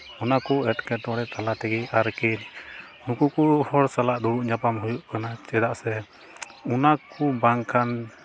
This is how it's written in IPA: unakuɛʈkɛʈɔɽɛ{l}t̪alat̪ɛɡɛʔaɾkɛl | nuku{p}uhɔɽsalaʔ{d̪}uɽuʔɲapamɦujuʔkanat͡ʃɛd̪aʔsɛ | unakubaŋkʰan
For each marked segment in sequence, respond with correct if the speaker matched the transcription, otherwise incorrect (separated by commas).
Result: incorrect, incorrect, correct